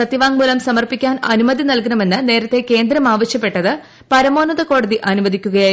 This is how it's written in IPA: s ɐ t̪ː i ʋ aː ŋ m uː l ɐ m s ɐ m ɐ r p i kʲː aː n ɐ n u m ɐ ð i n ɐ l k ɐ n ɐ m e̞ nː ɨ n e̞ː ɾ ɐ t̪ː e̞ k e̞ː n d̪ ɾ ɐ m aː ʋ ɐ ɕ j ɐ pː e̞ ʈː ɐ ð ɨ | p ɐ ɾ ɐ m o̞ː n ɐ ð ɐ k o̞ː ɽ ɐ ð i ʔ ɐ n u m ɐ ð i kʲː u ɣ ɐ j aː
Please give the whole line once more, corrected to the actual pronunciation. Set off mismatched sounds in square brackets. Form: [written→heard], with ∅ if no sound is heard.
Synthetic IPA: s ɐ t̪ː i ʋ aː ŋ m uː l ɐ m s ɐ m ɐ r p i kʲː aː n ɐ n u m ɐ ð i n ɐ l k ɐ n ɐ m e̞ nː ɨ n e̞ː ɾ ɐ t̪ː e̞ k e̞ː n d̪ ɾ ɐ m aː ʋ ɐ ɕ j ɐ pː e̞ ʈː ɐ ð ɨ | p ɐ ɾ ɐ m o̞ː n ɐ ð ɐ k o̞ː ɽ ɐ ð i ʔ ɐ n u m ɐ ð i kʲː u ɣ ɐ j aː

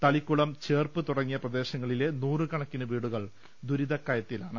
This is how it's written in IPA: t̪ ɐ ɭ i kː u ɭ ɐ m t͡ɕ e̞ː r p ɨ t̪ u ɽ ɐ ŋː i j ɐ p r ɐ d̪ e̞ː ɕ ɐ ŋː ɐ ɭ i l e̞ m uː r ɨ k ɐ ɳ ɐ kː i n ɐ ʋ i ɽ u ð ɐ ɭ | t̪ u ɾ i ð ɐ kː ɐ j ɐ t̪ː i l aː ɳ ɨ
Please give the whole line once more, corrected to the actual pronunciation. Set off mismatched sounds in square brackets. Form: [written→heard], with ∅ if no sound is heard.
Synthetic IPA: t̪ ɐ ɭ i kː u ɭ ɐ m t͡ɕ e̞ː r p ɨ t̪ u ɽ ɐ ŋː i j ɐ p r ɐ d̪ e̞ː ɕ ɐ ŋː ɐ ɭ i l e̞ [m→n] uː r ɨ k ɐ ɳ ɐ kː i n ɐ ʋ [i→iː] ɽ u [ð→ɣ] ɐ ɭ | [t̪→d̪] u ɾ i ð ɐ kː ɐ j ɐ t̪ː i l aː ɳ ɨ

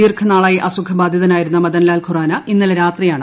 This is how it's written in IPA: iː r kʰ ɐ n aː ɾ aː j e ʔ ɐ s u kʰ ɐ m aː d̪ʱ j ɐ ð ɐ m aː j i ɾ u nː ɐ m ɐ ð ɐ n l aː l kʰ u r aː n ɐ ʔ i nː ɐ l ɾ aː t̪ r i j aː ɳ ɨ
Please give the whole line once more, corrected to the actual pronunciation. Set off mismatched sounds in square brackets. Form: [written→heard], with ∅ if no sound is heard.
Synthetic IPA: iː r kʰ ɐ n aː [ɾ→ɭ] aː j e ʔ ɐ s u kʰ ɐ [m→b] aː d̪ʱ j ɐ ð ɐ [m→n] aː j i ɾ u nː ɐ m ɐ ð ɐ n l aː l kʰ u r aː n ɐ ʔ i nː ɐ l ɾ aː t̪ r i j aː ɳ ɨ

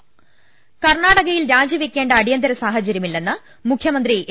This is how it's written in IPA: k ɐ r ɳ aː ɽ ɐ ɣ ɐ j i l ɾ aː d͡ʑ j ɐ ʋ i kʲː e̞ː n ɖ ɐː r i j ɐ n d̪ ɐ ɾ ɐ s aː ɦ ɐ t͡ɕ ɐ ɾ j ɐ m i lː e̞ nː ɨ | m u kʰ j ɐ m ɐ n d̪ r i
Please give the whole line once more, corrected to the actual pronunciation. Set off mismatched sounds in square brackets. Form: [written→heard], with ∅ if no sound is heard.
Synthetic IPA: k ɐ r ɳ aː ɽ ɐ ɣ ɐ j i l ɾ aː d͡ʑ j ɐ ʋ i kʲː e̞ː [n→ɳ] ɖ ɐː [r→ɽ] i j ɐ n d̪ ɐ ɾ ɐ s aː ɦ ɐ t͡ɕ ɐ ɾ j ɐ m i lː e̞ nː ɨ | m u kʰ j ɐ m ɐ n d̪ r i

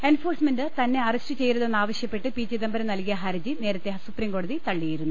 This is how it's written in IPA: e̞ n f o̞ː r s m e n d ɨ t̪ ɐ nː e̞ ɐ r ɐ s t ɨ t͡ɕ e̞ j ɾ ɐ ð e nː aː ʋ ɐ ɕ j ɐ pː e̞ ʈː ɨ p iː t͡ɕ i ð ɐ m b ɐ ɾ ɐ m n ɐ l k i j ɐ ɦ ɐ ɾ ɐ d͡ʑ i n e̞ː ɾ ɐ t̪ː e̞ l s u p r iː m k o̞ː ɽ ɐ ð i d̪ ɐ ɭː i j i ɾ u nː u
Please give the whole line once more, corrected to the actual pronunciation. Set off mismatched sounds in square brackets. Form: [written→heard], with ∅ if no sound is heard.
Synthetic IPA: e̞ n f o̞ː r s m e n d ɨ t̪ ɐ nː e̞ ɐ r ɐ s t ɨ t͡ɕ e̞ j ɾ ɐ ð e nː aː ʋ ɐ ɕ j ɐ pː e̞ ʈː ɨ p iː t͡ɕ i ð ɐ m b ɐ ɾ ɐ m n ɐ l k i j ɐ ɦ ɐ ɾ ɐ d͡ʑ i n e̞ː ɾ ɐ t̪ː e̞ [l→∅] s u p r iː m k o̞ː ɽ ɐ ð i [d̪→t̪] ɐ ɭː i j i ɾ u nː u

